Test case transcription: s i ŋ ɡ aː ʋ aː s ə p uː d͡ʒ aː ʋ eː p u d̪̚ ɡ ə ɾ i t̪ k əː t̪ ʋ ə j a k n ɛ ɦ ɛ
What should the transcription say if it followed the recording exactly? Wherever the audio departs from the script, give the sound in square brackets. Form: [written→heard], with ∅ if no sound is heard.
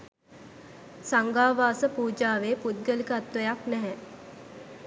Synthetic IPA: s [i→a] ŋ ɡ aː ʋ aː s ə p uː d͡ʒ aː ʋ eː p u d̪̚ ɡ ə [ɾ→l] i [t̪→∅] k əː t̪ ʋ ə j a k n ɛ ɦ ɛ